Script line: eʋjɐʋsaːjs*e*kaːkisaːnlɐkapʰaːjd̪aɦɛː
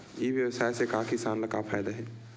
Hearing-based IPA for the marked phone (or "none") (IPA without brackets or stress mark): e